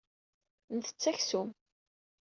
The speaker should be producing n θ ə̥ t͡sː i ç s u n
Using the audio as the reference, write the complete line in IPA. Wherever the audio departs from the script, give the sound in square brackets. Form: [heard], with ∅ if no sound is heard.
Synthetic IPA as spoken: n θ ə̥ t͡sː [æ] ç s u [m]